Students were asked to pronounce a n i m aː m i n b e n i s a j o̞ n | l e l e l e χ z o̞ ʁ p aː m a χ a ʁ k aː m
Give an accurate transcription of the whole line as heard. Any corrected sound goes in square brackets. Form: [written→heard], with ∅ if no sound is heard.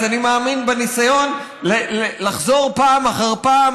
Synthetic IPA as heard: a n i m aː m i n b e n i s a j o̞ n | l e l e l [e→a] χ z o̞ ʁ p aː m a χ a ʁ [k→p] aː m